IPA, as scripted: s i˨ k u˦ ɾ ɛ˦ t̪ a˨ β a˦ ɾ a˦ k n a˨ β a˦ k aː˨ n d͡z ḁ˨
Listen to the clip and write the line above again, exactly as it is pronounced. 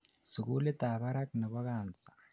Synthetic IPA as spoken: s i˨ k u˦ l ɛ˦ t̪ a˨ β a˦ ɾ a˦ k n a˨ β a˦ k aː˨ n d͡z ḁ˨